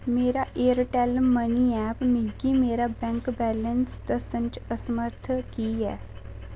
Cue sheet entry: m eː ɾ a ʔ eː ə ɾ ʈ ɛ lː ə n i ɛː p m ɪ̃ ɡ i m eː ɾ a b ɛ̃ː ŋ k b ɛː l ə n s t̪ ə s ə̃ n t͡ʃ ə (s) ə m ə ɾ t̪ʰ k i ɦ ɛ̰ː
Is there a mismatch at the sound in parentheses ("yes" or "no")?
no